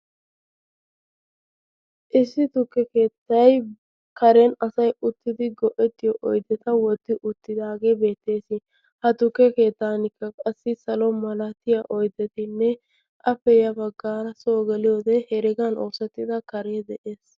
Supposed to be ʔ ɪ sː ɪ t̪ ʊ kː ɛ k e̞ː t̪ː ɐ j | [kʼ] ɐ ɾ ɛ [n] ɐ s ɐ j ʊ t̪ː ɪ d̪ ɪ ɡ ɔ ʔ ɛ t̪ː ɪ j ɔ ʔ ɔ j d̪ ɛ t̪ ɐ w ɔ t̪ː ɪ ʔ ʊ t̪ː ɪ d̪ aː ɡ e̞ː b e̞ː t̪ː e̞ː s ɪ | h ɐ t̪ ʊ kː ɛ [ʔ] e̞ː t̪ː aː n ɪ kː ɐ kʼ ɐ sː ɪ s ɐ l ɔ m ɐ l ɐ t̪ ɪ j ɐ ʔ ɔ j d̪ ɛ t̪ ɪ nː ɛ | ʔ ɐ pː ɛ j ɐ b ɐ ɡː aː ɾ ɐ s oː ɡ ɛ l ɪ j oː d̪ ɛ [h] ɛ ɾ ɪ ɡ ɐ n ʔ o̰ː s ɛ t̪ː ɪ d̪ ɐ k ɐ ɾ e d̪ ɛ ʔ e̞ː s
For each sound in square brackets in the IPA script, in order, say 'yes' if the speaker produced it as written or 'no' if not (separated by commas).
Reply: no, yes, no, yes